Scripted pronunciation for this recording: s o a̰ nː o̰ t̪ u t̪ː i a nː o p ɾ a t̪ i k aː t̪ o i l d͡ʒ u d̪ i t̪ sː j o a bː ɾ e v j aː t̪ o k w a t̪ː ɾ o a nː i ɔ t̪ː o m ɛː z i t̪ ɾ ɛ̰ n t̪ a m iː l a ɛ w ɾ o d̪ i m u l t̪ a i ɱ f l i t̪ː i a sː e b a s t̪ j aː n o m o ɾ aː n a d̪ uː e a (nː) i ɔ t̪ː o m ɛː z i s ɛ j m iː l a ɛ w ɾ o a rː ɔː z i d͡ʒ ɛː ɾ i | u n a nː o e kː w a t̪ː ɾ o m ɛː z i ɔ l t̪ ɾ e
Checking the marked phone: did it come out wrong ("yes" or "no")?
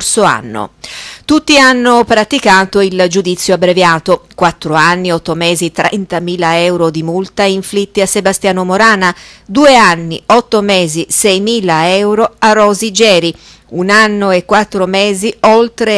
no